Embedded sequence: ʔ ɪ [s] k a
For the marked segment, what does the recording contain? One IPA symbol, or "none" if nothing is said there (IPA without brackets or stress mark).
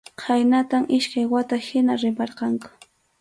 ʃ